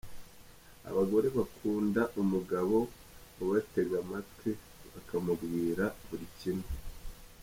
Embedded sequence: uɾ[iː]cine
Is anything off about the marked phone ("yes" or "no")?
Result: yes